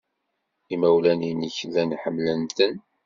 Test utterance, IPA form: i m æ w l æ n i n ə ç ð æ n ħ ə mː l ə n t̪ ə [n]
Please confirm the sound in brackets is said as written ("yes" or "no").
yes